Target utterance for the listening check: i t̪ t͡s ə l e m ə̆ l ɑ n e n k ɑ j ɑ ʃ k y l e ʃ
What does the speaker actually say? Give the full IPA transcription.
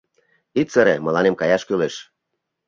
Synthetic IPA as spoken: i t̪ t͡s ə ɾ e m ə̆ l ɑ n e m k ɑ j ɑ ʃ k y l e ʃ